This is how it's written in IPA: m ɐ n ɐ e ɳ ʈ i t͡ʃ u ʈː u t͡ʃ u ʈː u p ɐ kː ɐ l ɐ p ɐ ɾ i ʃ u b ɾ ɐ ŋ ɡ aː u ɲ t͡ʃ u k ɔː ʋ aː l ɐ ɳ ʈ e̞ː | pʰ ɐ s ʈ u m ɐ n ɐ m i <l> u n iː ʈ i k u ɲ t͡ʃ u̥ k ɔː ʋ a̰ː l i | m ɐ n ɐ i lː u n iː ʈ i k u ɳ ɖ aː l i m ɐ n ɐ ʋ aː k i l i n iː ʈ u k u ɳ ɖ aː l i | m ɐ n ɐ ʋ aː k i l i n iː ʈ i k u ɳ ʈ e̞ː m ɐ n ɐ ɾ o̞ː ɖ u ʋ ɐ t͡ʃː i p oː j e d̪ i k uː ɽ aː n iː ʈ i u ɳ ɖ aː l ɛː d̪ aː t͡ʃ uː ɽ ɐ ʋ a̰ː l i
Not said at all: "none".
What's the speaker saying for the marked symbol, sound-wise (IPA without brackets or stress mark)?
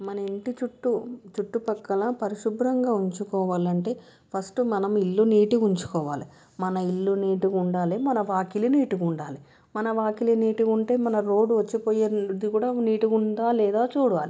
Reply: lː